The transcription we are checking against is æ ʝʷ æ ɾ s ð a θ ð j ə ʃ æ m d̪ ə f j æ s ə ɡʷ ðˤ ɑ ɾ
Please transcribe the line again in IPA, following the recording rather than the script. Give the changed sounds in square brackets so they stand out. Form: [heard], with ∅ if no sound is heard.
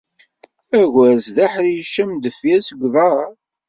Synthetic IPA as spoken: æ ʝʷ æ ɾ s ð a [ħ] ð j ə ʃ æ m d̪ ə f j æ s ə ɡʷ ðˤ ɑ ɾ

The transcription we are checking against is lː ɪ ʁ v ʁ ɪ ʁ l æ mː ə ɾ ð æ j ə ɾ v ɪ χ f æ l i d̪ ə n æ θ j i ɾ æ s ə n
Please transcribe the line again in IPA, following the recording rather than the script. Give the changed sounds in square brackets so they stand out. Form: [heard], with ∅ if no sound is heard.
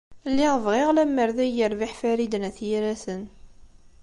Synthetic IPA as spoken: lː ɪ ʁ v ʁ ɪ ʁ l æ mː ə ɾ ð æ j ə ɾ v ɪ [ħ] f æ [ɾ] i d̪ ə n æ θ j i ɾ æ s ə n

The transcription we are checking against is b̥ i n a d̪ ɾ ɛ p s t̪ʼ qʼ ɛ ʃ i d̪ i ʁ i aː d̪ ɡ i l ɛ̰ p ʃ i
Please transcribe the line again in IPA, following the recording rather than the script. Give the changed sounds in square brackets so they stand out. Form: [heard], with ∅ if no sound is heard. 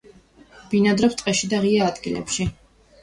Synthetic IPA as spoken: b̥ i n a d̪ ɾ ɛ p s t̪ʼ qʼ ɛ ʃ i d̪ [a] ʁ i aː d̪ ɡ i l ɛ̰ p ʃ i

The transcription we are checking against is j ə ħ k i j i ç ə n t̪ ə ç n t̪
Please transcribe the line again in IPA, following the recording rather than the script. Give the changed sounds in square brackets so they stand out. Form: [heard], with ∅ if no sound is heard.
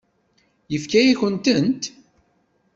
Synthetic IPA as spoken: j ə [f] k [æ] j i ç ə n t̪ ə [∅] n t̪

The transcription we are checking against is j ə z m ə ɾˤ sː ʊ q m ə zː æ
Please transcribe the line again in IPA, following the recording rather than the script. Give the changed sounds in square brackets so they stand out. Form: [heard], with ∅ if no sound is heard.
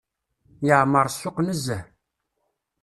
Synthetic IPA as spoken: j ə [ʕ] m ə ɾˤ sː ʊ q [n] ə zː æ

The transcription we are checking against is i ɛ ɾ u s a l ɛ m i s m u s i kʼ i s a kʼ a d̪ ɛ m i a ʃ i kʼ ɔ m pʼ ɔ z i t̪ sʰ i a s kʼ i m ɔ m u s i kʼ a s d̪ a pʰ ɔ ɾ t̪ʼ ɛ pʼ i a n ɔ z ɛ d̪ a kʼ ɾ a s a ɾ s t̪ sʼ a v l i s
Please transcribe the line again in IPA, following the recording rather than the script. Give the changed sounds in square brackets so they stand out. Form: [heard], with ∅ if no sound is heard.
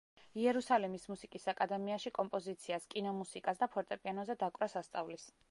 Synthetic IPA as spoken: i ɛ ɾ u s a l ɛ m i s m u s i kʼ i s a kʼ a d̪ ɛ m i a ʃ i kʼ ɔ m pʼ ɔ z i t̪ sʰ i a s kʼ i [n] ɔ m u s i kʼ a s d̪ a pʰ ɔ ɾ t̪ʼ ɛ pʼ i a n ɔ z ɛ d̪ a kʼ ɾ a s a [∅] s t̪ sʼ a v l i s

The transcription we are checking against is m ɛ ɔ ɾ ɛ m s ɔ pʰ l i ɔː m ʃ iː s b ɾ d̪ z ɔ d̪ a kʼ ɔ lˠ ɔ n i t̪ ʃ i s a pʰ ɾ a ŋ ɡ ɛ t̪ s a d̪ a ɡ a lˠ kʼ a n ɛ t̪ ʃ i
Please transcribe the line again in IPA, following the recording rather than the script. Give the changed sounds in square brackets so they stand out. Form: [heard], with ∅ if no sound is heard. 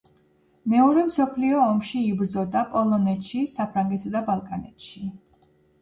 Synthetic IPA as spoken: m ɛ ɔ ɾ ɛ m s ɔ pʰ l i ɔː m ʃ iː [∅] b ɾ d̪ z ɔ d̪ a [pʼ] ɔ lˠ ɔ n [ɛ] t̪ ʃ i s a pʰ ɾ a ŋ ɡ ɛ t̪ s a d̪ a [b] a lˠ kʼ a n ɛ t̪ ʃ i

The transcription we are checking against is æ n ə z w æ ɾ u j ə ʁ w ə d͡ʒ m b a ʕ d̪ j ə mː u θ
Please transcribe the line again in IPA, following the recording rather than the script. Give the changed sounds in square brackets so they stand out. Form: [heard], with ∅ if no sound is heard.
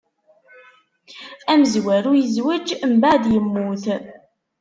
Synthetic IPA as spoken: æ [m] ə z w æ ɾ u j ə [z] w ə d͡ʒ m b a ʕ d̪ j ə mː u θ

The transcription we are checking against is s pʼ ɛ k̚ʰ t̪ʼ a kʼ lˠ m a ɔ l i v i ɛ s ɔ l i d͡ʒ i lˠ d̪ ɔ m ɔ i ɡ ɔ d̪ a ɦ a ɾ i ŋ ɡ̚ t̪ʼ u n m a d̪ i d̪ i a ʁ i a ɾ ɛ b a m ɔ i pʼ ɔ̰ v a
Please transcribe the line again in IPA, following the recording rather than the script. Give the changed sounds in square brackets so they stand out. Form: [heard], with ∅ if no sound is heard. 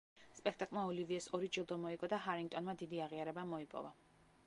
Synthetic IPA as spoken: s pʼ ɛ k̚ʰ t̪ʼ a kʼ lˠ m a ɔ l i v i ɛ s ɔ [ɾ] i d͡ʒ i lˠ d̪ ɔ m ɔ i ɡ ɔ d̪ a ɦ a ɾ i ŋ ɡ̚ t̪ʼ [ɔ] n m a d̪ i d̪ i a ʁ i a ɾ ɛ b a m ɔ i pʼ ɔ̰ v a

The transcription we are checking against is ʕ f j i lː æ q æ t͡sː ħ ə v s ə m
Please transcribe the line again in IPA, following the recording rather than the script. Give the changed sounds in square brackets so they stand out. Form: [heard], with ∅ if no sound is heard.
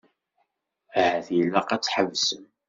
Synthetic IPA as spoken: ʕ [θ] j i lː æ q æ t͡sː ħ ə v s ə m

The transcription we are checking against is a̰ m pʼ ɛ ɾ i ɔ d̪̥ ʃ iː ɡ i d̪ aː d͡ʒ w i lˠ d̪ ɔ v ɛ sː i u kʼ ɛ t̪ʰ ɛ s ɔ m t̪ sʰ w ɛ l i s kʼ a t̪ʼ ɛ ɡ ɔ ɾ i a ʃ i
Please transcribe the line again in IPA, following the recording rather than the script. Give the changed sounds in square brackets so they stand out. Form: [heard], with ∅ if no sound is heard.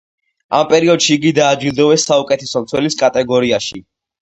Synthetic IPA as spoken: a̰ m pʼ ɛ ɾ i ɔ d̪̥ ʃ iː ɡ i d̪ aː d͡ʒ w i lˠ d̪ ɔ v ɛ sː [a] u kʼ ɛ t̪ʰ ɛ s ɔ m t̪ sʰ w ɛ l i s kʼ a t̪ʼ ɛ ɡ ɔ ɾ i a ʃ i

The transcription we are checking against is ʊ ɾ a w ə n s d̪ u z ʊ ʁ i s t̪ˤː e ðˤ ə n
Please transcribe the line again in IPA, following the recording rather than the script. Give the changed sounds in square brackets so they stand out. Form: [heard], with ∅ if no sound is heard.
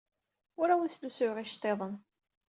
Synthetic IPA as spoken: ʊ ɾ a w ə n s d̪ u [s] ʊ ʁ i [ʃ] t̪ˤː e ðˤ ə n

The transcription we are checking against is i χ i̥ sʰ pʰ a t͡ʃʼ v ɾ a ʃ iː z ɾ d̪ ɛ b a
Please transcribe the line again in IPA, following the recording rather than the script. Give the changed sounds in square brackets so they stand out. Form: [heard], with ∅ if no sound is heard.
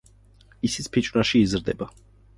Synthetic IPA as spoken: i [s] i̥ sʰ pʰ [i] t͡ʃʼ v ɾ a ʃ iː z ɾ d̪ ɛ b a

